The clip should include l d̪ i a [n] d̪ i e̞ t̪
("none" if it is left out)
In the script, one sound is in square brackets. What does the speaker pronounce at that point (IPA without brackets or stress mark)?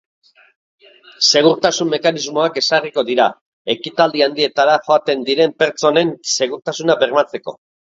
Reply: n